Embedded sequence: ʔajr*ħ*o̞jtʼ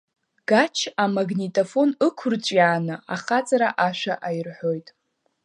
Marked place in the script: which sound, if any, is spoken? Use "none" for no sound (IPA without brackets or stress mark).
ħ